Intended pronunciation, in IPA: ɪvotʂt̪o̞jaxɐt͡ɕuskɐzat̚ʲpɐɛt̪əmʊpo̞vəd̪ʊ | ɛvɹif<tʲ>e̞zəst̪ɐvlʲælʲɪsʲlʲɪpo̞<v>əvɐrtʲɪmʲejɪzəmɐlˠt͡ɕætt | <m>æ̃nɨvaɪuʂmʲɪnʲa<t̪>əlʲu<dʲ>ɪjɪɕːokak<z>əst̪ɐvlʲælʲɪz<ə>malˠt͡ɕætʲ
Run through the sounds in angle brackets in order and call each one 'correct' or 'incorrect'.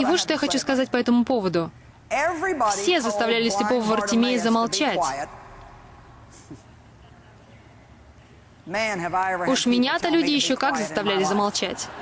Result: incorrect, correct, correct, correct, correct, correct, correct

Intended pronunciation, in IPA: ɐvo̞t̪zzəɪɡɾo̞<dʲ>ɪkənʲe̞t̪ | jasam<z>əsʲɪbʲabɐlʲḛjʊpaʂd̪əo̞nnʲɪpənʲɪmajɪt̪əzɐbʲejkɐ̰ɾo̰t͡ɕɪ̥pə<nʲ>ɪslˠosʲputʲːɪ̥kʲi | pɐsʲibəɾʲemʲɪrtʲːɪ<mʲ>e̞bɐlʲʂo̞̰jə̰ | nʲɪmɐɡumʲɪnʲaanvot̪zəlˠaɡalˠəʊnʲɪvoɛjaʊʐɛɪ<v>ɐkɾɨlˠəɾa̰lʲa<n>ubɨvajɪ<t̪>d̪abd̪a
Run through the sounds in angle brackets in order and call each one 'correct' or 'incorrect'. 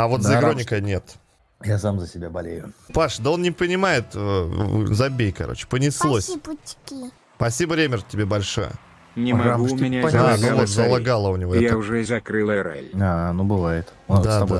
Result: incorrect, correct, correct, incorrect, incorrect, correct, correct

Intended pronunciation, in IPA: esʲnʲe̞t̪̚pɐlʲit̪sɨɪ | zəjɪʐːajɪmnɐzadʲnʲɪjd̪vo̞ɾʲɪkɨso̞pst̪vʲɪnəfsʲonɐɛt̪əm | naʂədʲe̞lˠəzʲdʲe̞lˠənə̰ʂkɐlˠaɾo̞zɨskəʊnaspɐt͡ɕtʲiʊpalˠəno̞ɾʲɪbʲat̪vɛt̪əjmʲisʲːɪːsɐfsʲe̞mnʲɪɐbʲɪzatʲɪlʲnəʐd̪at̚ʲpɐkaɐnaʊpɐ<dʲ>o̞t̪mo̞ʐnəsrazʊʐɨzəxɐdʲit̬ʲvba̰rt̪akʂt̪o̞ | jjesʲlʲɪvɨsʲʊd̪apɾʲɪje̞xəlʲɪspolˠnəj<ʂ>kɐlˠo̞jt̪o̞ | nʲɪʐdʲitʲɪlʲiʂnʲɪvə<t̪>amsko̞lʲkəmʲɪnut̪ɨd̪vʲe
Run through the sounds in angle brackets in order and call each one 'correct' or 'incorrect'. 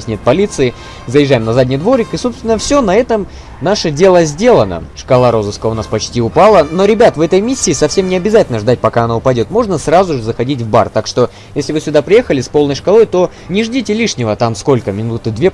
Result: correct, correct, correct

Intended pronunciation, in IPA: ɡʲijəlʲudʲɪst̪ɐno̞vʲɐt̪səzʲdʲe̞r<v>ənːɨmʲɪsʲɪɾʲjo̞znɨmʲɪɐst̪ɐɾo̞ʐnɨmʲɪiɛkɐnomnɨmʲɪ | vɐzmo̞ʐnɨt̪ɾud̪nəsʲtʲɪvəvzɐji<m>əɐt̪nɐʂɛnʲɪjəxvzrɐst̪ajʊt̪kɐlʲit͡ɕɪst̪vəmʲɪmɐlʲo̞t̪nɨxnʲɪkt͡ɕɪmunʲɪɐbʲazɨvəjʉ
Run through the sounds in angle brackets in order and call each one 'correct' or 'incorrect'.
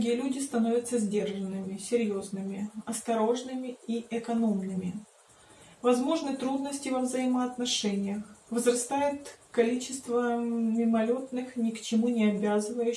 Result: incorrect, correct

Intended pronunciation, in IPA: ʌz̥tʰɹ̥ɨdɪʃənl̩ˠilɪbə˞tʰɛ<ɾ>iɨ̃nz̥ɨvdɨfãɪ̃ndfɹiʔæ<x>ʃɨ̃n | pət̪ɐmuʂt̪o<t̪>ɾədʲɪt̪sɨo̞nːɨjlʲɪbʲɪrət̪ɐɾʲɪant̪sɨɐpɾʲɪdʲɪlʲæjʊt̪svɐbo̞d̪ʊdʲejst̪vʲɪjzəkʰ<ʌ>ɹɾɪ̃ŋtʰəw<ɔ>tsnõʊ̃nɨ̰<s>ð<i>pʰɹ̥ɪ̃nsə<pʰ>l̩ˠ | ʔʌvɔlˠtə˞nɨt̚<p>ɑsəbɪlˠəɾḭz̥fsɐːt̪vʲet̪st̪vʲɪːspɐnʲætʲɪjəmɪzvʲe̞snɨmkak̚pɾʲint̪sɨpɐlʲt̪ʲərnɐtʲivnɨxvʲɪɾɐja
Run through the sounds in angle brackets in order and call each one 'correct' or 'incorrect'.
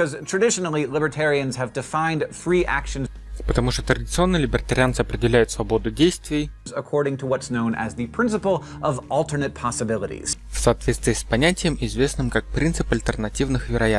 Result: incorrect, incorrect, correct, incorrect, incorrect, incorrect, correct, incorrect, incorrect

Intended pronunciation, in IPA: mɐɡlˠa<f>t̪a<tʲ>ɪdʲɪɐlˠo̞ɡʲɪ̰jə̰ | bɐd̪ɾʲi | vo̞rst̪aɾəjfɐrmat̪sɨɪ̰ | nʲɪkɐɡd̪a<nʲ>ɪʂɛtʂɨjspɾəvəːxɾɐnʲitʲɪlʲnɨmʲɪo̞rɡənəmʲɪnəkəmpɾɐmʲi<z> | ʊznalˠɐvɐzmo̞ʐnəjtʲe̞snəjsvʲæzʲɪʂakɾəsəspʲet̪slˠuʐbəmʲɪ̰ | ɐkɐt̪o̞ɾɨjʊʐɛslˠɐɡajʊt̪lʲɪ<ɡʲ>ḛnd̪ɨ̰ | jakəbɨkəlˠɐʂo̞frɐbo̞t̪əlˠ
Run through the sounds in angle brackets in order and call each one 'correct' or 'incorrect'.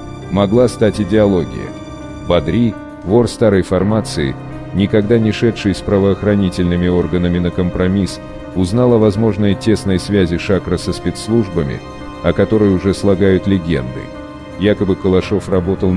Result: incorrect, correct, correct, incorrect, correct

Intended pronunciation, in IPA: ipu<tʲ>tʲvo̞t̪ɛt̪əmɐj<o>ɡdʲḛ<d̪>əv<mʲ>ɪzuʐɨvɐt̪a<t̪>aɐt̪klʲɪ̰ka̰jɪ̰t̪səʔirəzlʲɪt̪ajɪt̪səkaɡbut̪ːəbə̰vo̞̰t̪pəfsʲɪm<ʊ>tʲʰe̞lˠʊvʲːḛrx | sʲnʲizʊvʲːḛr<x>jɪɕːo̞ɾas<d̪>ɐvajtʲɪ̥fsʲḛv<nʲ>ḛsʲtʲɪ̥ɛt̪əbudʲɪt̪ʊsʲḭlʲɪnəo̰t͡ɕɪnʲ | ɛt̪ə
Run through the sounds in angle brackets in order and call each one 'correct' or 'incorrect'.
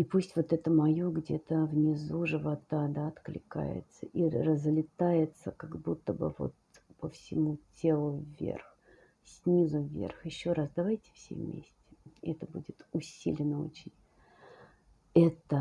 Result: incorrect, correct, incorrect, incorrect, incorrect, incorrect, correct, correct, incorrect

